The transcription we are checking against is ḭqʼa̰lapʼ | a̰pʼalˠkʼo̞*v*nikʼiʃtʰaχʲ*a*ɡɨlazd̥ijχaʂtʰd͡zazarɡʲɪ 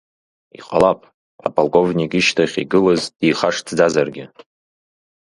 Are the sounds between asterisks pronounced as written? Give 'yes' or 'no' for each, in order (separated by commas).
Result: yes, no